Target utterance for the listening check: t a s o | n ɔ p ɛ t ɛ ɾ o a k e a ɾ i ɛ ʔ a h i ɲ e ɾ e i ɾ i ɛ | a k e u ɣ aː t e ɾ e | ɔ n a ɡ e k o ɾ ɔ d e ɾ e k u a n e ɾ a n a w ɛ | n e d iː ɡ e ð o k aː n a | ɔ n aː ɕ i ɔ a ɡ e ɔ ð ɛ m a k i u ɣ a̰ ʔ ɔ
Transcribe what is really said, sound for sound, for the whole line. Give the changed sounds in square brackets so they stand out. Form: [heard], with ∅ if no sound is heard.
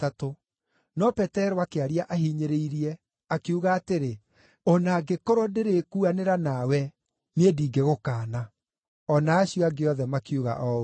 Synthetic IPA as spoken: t a [t] o | n ɔ p ɛ t ɛ ɾ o a k e a ɾ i [a] ʔ a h i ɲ e ɾ e i ɾ i ɛ | a k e u ɣ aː t e ɾ e | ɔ n a ɡ e k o ɾ ɔ d e ɾ e k u a n e ɾ a n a w ɛ | n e d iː ɡ e [ɣ] o k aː n a | ɔ n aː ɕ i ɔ a ɡ e ɔ ð ɛ m a k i u ɣ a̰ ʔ ɔ